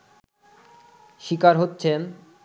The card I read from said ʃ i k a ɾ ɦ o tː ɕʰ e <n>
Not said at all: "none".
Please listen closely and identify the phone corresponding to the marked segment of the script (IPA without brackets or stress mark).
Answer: n